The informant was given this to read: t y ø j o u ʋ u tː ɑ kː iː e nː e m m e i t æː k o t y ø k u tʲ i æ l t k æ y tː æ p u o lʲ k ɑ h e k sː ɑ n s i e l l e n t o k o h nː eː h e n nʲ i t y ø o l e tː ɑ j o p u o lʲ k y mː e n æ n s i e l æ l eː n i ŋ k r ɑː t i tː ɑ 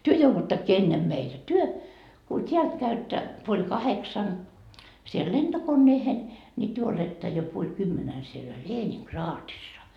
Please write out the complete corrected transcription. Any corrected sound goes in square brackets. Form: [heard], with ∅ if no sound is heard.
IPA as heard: t y ø j o u ʋ u tː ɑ kː iː e nː e m m e i t [æ] k o t y ø k u tʲ i æ l t k æ y tː æ p u o lʲ k ɑ h e k [s] ɑ n s i e l l e n t o k o [∅] nː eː h e n nʲ i t y ø o l e tː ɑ j o p u o lʲ k y mː e n æ n s i e l æ l eː n i ŋ k r ɑː t i [sː] ɑ

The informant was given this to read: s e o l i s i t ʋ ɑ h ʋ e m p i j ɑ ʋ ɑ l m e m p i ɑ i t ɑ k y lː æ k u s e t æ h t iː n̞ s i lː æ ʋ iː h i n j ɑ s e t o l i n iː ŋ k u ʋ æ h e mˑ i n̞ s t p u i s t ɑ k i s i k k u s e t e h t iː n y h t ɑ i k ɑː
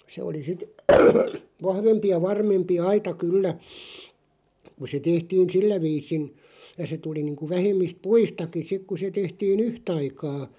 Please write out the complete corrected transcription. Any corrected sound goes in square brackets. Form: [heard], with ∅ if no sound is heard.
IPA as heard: s e o l i s i t ʋ ɑ h ʋ e m p i j ɑ ʋ ɑ [r] m e m p i ɑ i t ɑ k y lː æ k u s e t [e] h t iː n̞ s i lː æ ʋ iː [s] i n j ɑ s e t [u] l i n iː ŋ k u ʋ æ h e mˑ i [∅] s t p u i s t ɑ k i s i k k u s e t e h t iː n y h t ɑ i k ɑː

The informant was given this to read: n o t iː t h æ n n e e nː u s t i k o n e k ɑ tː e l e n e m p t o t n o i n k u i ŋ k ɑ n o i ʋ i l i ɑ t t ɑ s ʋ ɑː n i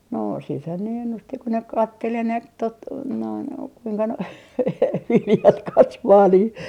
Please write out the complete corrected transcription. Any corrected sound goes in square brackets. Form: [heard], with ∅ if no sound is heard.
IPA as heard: n o [s] iː t h æ n n e e nː u s t i k o n e k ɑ tː e l e n e m p t o t n o i n k u i ŋ k ɑ n o i ʋ i l [j] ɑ t [k] ɑ s ʋ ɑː n [iː]

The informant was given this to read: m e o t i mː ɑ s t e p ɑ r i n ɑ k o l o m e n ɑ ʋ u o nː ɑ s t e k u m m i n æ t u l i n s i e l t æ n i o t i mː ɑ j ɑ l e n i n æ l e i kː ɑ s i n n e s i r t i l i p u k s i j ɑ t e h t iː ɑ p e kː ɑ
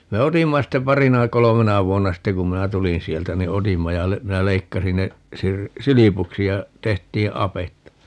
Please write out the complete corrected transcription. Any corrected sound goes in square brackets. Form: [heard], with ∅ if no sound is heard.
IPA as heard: m e o t i mː ɑ s t e p ɑ r i n ɑ k o l o m e n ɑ ʋ u o nː ɑ s t e k u m m i n æ t u l i n s i e l t æ n i o t i mː ɑ j ɑ l e [m] i n æ l e i kː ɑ s i n n e s i r [s] i l i p u k s i j ɑ t e h t iː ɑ p e [tː] ɑ

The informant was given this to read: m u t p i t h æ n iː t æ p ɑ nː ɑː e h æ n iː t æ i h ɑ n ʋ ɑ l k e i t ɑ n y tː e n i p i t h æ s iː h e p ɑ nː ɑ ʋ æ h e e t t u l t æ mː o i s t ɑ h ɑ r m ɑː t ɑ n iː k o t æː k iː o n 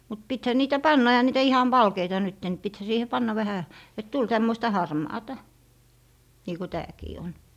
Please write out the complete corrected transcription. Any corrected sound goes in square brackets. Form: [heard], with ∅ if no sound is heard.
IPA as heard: m u t p i t h æ n iː t æ p ɑ nː [ɑ] e h æ n iː t æ i h ɑ n ʋ ɑ l k e i t ɑ n y tː e n i p i t h æ s iː h e p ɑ nː ɑ ʋ æ h [æ] e t t u l t æ mː o i s t ɑ h ɑ r m ɑː t ɑ n iː k o t æː k iː o n

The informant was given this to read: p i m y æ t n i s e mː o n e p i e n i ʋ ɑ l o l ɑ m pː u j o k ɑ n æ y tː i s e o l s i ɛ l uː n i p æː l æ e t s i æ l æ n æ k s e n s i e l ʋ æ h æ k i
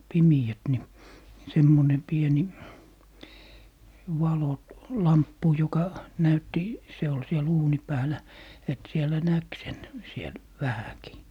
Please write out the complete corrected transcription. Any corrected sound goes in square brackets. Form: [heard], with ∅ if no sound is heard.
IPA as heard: p i m [i] æ t n i s e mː o n e p i e n i ʋ ɑ l o l ɑ m pː u j o k ɑ n æ y tː i s e o l s i ɛ l uː n i p æː l æ e t s i [e] l æ n æ k s e n s i e l ʋ æ h æ k i

